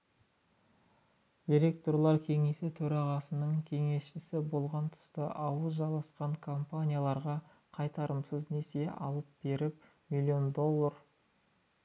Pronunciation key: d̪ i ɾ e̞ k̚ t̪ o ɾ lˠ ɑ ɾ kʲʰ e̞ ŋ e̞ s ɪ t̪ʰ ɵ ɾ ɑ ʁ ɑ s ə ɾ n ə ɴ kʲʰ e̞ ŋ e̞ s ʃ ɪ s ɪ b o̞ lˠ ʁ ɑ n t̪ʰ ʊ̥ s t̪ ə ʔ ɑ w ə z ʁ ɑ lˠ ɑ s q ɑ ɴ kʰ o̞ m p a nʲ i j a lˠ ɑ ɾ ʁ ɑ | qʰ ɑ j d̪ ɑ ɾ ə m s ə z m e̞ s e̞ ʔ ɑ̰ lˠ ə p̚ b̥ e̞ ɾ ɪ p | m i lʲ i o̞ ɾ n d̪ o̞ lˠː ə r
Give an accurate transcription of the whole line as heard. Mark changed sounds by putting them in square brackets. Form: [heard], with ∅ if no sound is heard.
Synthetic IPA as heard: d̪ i ɾ e̞ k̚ t̪ o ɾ lˠ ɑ ɾ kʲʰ e̞ ŋ e̞ s ɪ t̪ʰ ɵ ɾ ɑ ʁ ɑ s ə [∅] n ə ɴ kʲʰ e̞ ŋ e̞ s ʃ ɪ s ɪ b o̞ lˠ ʁ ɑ n t̪ʰ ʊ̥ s t̪ ə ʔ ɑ w ə z [ʒ] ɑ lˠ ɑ s q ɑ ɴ kʰ o̞ m p a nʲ i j a lˠ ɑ ɾ ʁ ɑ | qʰ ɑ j [t̪] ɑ ɾ ə m s ə z [n] e̞ s e̞ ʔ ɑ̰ lˠ ə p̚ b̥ e̞ ɾ ɪ p | m i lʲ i o̞ [∅] n d̪ o̞ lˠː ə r